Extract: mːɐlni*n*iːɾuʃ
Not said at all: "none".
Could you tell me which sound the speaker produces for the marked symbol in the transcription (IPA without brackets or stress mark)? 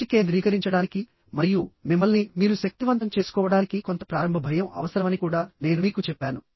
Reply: m